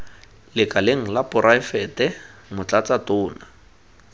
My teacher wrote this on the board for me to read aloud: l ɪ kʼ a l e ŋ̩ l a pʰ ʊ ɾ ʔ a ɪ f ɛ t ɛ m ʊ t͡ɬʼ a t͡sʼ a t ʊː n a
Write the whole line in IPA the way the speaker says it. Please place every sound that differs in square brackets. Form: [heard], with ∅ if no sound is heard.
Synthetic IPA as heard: l ɪ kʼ a l e ŋ̩ l a [p] ʊ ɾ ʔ a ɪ f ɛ t ɛ m ʊ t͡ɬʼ a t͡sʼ a t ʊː n a